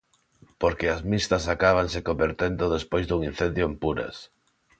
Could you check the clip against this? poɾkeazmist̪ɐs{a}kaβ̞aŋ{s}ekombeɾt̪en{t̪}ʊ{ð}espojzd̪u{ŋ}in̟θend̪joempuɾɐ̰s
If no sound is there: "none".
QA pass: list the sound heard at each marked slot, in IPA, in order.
a, s, d̪, ð, ŋ

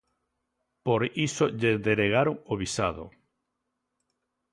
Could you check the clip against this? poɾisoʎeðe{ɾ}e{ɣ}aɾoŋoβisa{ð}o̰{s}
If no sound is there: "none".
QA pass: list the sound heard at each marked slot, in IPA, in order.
ɾ, ɣ, ð, none

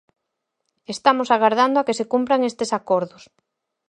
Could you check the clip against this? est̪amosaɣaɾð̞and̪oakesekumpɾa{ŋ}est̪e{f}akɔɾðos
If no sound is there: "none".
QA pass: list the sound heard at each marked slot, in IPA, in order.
ŋ, s

